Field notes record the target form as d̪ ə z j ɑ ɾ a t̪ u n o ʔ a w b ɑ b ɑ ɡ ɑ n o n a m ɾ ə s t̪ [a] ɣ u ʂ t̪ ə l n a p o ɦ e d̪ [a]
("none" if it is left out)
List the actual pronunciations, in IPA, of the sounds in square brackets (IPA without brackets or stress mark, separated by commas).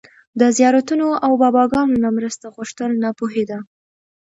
a, a